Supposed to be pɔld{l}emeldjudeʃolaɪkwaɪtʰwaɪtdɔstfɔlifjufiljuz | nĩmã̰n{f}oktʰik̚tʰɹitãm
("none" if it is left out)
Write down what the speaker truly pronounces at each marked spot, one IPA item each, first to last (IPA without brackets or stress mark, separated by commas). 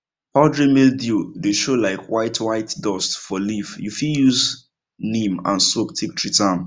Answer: ɹ, s